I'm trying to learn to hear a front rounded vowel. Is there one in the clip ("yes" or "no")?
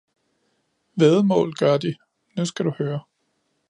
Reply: yes